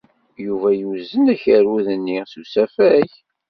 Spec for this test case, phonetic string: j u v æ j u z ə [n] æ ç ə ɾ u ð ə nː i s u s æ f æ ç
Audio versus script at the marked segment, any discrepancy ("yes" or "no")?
no